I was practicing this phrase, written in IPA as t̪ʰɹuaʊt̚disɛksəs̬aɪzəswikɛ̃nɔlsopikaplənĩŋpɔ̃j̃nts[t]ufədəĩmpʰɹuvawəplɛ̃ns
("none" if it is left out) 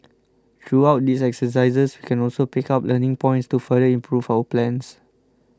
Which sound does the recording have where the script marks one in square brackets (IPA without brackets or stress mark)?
t